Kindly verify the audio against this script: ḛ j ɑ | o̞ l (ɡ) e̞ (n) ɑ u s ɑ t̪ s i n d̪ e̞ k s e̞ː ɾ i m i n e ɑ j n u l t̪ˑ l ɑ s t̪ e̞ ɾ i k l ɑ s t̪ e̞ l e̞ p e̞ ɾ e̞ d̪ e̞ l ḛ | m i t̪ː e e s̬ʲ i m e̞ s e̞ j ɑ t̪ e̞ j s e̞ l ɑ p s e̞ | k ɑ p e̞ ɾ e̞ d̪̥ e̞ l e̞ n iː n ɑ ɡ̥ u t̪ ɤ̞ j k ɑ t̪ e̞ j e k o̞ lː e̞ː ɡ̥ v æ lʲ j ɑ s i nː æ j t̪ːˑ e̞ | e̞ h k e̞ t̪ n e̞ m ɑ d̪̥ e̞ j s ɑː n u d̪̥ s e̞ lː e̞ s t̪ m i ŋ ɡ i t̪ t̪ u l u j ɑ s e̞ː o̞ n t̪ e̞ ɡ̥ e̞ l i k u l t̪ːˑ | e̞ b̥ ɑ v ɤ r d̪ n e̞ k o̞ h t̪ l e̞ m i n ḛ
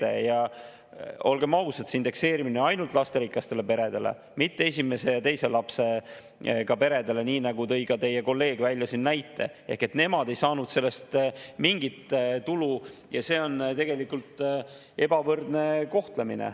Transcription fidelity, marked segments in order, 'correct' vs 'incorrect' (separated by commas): correct, incorrect